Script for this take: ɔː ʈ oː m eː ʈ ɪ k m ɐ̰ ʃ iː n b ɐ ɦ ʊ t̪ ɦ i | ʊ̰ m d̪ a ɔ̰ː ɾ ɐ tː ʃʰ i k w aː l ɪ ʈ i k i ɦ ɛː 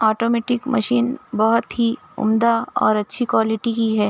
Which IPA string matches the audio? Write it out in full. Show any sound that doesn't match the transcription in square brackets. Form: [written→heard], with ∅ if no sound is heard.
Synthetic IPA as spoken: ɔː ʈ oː m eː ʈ ɪ k m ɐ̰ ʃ iː n b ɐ ɦ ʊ t̪ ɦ i | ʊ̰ m d̪ a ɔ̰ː ɾ ɐ tː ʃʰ i k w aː l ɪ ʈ i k i ɦ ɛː